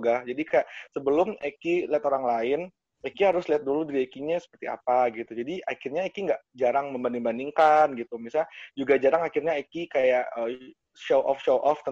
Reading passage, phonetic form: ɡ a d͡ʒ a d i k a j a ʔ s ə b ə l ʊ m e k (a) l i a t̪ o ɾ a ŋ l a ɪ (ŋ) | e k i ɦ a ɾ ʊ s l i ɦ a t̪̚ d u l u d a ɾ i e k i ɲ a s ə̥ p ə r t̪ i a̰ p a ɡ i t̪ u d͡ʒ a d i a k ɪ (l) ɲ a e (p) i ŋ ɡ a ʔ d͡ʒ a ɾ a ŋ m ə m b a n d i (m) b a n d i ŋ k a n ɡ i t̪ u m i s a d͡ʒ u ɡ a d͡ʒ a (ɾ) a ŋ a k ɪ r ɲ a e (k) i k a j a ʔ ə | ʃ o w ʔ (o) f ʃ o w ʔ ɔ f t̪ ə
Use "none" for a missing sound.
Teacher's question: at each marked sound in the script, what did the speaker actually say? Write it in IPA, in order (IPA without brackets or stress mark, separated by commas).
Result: i, n, r, k, ŋ, ɾ, k, ɔ